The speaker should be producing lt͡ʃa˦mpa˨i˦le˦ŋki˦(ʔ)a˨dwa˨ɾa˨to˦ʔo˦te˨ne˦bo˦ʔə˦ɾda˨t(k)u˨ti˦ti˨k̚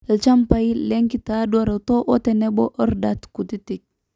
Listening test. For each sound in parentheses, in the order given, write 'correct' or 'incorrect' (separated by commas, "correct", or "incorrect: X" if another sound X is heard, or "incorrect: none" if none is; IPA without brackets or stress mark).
incorrect: t, correct